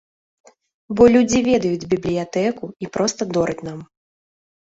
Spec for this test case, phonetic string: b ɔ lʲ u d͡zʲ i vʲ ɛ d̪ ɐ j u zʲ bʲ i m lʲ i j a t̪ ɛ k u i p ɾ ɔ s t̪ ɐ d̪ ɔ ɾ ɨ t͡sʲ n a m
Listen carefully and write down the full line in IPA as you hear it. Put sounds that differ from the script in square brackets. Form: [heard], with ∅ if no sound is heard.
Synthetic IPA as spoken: b ɔ lʲ u d͡zʲ i vʲ ɛ d̪ ɐ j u [d͡zʲ] bʲ i [b] lʲ i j a t̪ ɛ k u i p ɾ ɔ s t̪ ɐ d̪ ɔ ɾ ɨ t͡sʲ n a m